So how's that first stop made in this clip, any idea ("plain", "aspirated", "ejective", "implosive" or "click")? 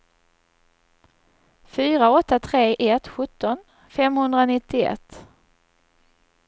plain